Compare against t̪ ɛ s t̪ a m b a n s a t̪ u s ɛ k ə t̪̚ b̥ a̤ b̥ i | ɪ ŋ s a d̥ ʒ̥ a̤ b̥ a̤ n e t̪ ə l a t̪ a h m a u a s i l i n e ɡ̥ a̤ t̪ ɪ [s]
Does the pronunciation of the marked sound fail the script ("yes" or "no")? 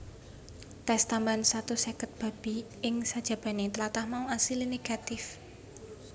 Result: yes